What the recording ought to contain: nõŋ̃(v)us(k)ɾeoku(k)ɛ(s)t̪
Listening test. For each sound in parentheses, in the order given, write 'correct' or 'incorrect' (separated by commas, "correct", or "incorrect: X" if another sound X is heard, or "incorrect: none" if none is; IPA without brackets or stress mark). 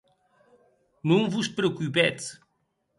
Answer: correct, incorrect: p, incorrect: p, incorrect: none